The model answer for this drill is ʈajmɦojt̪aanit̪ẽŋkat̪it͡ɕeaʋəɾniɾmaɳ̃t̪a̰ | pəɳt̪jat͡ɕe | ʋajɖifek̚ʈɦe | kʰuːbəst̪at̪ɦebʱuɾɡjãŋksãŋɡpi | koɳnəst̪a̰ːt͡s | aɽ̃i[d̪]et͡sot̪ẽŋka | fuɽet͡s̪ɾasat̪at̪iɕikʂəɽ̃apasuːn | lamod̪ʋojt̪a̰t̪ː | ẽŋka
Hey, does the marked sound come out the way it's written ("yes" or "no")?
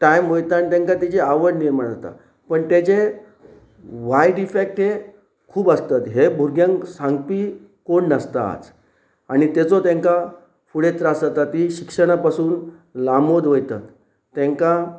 no